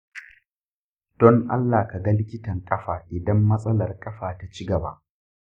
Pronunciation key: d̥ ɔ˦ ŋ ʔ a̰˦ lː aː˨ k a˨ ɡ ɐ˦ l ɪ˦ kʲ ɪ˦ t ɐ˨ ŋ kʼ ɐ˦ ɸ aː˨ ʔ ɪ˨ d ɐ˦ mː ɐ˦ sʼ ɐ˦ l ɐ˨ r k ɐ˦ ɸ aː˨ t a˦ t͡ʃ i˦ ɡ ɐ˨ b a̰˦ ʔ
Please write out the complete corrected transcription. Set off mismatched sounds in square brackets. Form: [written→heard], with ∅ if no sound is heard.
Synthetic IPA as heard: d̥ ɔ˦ ŋ ʔ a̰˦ lː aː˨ k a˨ ɡ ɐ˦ l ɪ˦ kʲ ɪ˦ t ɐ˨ ŋ kʼ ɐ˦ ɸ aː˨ ʔ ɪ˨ d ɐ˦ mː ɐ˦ sʼ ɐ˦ l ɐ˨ r [k→kʼ] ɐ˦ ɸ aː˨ t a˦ t͡ʃ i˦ ɡ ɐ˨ b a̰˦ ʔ

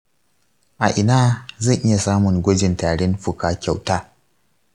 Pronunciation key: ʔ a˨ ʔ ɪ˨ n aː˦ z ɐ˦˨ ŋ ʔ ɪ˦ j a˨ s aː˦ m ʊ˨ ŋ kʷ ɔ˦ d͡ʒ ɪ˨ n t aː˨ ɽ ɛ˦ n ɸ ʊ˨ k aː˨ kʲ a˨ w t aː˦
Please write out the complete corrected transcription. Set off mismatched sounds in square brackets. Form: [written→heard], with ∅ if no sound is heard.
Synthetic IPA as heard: ʔ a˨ ʔ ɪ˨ n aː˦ z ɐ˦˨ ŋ ʔ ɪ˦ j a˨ s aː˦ m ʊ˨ ŋ [kʷ→ɡʷ] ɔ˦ d͡ʒ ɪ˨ n t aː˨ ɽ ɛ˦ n ɸ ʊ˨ k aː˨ kʲ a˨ w t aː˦

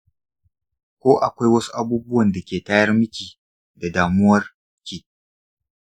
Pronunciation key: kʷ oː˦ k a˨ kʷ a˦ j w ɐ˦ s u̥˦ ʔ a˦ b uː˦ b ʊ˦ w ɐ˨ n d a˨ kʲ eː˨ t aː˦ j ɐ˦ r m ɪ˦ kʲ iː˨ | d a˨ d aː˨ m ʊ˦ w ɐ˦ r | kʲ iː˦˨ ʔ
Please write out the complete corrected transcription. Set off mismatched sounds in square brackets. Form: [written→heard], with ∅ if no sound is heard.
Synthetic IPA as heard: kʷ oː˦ [k→ʔ] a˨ kʷ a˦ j w ɐ˦ s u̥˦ ʔ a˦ b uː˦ b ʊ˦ w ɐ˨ n d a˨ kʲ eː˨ t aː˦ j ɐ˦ r m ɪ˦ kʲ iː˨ | d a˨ d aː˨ m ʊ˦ w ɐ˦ r | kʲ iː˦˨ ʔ

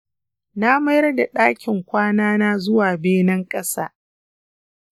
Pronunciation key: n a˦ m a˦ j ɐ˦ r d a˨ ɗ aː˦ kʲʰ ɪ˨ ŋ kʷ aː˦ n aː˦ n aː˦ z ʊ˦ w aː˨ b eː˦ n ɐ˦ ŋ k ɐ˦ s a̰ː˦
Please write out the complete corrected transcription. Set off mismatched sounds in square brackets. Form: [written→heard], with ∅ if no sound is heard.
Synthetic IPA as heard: n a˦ m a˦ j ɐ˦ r d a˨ ɗ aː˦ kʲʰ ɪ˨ ŋ kʷ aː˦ n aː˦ n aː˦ z ʊ˦ w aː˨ b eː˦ n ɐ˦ ŋ [k→kʼ] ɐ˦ s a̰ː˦

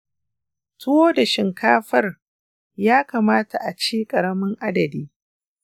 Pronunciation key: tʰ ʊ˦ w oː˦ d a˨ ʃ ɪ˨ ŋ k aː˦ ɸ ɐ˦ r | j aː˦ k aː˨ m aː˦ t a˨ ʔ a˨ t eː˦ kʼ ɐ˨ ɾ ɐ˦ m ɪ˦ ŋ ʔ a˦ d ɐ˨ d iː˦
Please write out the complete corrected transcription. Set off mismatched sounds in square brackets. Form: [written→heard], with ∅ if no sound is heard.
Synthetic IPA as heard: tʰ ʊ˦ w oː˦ d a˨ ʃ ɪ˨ ŋ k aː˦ ɸ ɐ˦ r | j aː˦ k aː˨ m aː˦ t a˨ ʔ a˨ [t→t͡ʃ] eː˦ kʼ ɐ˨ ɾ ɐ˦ m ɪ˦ ŋ ʔ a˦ d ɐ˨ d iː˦

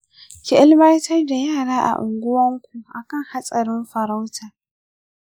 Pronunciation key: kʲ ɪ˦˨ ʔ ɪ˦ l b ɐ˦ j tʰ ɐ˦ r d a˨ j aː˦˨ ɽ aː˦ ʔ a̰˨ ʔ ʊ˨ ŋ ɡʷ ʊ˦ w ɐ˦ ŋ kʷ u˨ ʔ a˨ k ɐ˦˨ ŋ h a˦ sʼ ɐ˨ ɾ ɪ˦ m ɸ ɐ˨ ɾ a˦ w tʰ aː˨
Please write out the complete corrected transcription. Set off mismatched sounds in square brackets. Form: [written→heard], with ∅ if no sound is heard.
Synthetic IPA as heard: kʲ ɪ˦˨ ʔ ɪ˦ l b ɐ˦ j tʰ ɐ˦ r d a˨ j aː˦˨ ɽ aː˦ ʔ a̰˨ ʔ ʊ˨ ŋ ɡʷ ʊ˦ w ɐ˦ ŋ kʷ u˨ ʔ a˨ k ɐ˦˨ ŋ h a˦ sʼ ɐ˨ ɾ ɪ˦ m ɸ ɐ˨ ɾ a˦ w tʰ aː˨

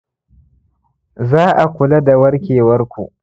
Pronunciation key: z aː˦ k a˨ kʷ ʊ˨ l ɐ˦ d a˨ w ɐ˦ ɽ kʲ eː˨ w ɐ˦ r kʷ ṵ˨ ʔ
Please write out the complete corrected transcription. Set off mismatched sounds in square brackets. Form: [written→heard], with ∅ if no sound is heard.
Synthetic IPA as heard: z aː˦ [k→ʔ] a˨ kʷ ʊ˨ l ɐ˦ d a˨ w ɐ˦ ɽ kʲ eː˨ w ɐ˦ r kʷ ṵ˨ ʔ

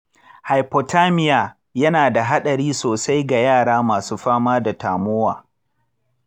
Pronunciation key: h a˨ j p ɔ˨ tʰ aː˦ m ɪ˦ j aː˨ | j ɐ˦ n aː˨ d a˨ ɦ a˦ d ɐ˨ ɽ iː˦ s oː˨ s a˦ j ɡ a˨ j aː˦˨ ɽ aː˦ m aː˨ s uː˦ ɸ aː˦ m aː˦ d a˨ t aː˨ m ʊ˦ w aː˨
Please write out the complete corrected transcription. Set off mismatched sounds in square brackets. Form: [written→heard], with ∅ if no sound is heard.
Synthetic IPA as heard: h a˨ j p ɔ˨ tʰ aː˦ m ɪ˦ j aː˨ | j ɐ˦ n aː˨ d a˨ ɦ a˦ [d→ɗ] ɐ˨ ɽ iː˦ s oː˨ s a˦ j ɡ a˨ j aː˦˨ ɽ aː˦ m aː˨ s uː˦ ɸ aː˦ m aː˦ d a˨ t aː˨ m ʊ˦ w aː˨

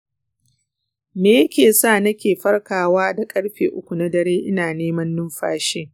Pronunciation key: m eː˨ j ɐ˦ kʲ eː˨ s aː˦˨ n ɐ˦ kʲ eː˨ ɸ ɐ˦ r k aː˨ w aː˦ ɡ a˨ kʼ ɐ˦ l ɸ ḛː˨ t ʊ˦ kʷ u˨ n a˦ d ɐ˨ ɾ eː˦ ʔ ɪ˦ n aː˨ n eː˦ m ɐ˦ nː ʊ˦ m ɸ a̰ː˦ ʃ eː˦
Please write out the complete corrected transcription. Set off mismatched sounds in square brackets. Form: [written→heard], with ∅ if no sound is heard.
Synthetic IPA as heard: m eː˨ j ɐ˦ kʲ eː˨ s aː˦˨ n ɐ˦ kʲ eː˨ ɸ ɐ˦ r k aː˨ w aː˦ [ɡ→d] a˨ kʼ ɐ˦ [l→ɽ] ɸ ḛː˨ [t→ʔ] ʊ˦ kʷ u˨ n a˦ d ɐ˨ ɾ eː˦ ʔ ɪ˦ n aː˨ n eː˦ m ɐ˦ nː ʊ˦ m ɸ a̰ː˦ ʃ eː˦

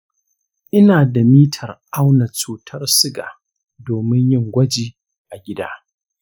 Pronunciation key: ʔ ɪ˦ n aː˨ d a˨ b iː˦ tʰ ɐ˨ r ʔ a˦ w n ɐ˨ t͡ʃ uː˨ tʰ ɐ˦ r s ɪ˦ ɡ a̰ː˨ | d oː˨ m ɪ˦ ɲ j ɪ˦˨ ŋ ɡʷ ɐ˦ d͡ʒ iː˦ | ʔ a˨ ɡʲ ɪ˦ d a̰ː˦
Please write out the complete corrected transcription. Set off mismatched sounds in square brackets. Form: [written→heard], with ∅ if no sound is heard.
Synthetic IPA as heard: ʔ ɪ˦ n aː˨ d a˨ [b→m] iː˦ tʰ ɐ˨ r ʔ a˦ w n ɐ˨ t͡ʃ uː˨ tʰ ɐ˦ r s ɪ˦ ɡ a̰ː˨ | d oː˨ m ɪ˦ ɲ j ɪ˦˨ ŋ ɡʷ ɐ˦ d͡ʒ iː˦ | ʔ a˨ ɡʲ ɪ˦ d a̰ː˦

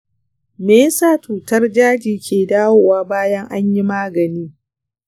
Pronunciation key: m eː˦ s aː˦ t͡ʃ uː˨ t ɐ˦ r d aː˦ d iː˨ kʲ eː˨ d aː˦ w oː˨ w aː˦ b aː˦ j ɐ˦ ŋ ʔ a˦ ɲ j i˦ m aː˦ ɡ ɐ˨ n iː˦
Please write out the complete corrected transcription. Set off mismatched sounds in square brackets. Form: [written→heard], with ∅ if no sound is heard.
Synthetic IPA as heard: m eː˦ s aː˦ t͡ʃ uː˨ t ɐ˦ r [d→d͡ʒ] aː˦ [d→d͡ʒ] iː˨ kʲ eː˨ d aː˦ w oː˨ w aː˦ b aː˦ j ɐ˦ ŋ ʔ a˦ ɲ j i˦ m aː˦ ɡ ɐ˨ n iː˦

